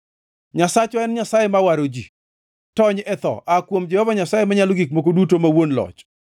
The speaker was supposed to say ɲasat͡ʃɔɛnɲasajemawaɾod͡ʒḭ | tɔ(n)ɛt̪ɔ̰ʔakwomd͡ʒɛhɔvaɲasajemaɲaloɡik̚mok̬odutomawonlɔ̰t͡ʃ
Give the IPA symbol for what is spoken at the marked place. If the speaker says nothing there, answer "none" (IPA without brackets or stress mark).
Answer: ɲ